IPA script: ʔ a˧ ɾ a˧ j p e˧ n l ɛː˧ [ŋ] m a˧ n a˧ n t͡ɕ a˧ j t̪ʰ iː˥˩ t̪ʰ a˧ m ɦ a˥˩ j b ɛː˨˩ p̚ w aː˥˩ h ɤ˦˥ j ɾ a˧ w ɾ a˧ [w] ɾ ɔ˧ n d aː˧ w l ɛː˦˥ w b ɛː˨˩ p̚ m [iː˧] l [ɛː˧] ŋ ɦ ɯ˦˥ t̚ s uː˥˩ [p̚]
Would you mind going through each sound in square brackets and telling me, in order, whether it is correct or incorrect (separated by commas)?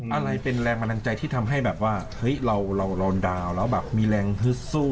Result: correct, correct, correct, correct, incorrect